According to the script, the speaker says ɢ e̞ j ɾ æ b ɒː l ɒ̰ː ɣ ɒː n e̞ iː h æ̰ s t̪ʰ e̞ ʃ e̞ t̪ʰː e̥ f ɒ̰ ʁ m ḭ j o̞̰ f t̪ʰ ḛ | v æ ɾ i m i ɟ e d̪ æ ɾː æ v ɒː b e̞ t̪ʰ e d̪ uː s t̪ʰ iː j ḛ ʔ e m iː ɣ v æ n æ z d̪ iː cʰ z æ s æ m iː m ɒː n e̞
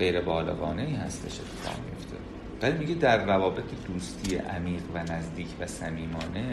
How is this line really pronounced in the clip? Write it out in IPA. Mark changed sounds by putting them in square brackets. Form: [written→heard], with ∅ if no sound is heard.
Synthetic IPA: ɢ e̞ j ɾ [æ→e] b ɒː l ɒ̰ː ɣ ɒː n e̞ iː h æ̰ s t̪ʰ e̞ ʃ e̞ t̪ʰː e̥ f ɒ̰ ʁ m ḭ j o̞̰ f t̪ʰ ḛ | v æ [ɾ→l] i m i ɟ e d̪ æ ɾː æ v ɒː b e̞ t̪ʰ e d̪ uː s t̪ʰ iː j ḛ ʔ [e→æ] m iː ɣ v æ n æ z d̪ iː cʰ [z→v] æ s æ m iː m ɒː n e̞